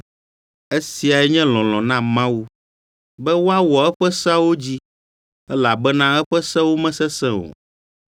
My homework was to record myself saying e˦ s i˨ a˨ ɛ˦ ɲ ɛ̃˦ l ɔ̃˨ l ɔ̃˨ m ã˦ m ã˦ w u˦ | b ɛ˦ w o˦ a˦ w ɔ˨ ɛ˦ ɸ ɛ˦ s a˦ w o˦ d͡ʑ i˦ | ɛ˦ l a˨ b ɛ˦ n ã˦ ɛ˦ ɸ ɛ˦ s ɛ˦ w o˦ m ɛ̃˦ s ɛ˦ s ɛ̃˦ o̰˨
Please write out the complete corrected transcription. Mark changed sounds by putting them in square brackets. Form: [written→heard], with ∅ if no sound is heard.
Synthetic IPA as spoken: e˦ s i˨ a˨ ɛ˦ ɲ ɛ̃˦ l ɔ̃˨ l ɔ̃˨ [m→n] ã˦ m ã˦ w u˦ | b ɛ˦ w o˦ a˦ w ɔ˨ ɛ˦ ɸ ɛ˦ s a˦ w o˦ d͡ʑ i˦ | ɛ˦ l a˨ b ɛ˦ n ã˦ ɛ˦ ɸ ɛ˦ s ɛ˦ w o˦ m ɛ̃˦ s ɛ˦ s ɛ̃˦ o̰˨